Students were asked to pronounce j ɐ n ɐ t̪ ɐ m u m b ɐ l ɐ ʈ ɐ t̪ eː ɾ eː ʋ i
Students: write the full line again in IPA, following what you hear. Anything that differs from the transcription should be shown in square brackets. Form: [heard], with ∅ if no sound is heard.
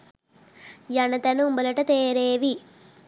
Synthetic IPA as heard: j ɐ n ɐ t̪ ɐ [n] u m b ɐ l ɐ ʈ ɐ t̪ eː ɾ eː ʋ i